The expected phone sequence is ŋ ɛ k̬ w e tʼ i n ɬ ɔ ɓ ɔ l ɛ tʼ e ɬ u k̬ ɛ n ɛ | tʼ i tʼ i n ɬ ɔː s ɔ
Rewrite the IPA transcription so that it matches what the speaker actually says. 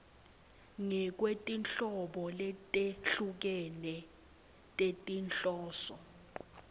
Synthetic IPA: ŋ ɛ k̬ w e tʼ i n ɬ ɔ ɓ ɔ l ɛ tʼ e ɬ u k̬ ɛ n ɛ | tʼ e tʼ i n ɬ ɔː s ɔ